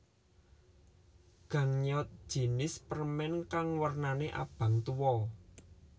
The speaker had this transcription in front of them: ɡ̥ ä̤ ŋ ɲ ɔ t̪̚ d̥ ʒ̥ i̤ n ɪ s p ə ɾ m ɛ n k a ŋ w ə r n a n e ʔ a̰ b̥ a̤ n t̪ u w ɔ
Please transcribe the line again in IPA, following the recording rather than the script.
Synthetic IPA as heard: ɡ̥ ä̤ ŋ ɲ ɔ t̪̚ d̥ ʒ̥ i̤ n ɪ s p ə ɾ m ɛ n k a ŋ w ə r n a n e ʔ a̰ b̥ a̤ ŋ t̪ u w ɔ